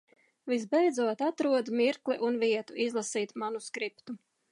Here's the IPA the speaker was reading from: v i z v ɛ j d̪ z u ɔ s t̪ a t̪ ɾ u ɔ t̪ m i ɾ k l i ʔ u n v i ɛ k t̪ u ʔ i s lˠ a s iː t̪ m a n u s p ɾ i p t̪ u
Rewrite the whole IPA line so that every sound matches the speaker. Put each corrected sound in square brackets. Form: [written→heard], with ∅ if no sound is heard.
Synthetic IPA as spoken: v i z [v→b] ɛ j d̪ z u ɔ [s→∅] t̪ a t̪ ɾ u ɔ [t̪→d̪] m i ɾ k l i ʔ u n v i ɛ [k→∅] t̪ u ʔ i [s→z] lˠ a s iː t̪ m a n u s [p→k] ɾ i p t̪ u